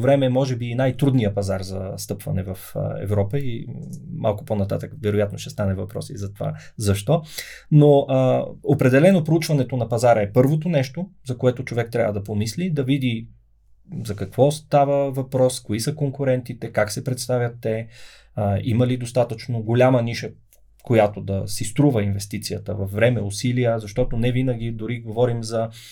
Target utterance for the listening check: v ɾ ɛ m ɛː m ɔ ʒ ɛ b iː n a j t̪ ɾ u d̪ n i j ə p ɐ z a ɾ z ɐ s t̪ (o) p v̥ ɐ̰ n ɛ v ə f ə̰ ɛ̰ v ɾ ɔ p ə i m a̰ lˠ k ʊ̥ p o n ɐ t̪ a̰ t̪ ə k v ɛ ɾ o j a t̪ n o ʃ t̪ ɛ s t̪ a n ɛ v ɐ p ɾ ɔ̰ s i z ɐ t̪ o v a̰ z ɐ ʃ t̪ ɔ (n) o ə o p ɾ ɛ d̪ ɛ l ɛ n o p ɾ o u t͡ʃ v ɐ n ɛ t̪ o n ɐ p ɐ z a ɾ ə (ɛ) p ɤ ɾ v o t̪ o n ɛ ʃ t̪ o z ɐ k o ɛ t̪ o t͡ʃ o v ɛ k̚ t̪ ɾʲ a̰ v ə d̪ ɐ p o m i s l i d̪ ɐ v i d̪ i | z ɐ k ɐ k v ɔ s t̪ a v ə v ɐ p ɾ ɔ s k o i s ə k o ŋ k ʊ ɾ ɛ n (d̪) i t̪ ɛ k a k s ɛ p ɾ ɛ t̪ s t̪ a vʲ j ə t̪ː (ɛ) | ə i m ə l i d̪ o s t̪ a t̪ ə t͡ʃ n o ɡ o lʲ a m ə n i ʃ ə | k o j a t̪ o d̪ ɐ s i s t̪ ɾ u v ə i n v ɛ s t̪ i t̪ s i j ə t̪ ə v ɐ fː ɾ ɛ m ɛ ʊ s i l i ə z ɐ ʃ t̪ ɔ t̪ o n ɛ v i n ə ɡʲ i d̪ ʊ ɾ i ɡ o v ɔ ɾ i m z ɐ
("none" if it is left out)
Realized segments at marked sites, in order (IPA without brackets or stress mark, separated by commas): ɤ, n, ɛ, t̪, ɛ